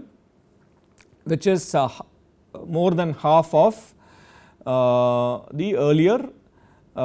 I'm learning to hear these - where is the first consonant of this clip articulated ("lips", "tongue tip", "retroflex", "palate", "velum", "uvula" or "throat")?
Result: lips